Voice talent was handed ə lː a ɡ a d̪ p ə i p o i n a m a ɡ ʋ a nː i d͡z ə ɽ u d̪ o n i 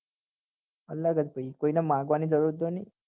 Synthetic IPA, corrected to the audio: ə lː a ɡ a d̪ p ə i k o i n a m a ɡ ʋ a n i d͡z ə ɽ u d̪ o n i

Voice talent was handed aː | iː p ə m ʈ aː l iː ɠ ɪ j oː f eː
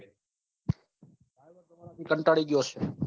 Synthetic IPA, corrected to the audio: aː | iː k ə ɳ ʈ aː ɽ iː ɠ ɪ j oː s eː

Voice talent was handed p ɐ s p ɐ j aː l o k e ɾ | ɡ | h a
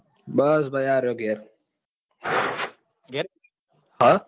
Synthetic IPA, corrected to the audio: b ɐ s b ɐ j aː ɾ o ɡ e ɾ | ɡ | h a

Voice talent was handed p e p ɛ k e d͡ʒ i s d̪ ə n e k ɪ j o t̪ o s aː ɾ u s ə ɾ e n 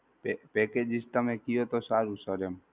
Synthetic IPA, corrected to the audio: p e p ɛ k e d͡ʒ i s t̪ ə m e k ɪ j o t̪ o s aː ɾ u s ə ɾ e m

